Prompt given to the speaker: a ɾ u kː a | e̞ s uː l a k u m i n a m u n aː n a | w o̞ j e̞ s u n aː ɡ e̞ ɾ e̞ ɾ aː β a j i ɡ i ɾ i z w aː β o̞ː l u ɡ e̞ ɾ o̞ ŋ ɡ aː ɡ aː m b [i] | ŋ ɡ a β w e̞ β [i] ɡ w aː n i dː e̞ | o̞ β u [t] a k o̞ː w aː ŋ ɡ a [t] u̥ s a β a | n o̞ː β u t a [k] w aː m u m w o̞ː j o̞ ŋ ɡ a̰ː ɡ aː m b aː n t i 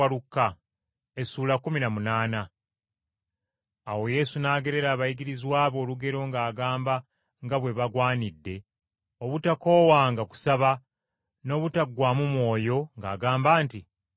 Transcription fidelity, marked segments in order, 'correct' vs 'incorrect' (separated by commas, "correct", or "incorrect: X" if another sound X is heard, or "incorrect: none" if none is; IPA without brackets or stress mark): incorrect: a, incorrect: a, correct, incorrect: k, incorrect: ɡ